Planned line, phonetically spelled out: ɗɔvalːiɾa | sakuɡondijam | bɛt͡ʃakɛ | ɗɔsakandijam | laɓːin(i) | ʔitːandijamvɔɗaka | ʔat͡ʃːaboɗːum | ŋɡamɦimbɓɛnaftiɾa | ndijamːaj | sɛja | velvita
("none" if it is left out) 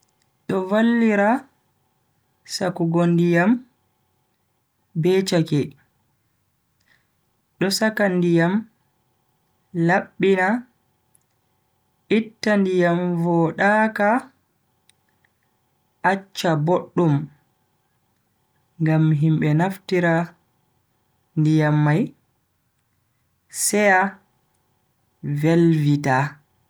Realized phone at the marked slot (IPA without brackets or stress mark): a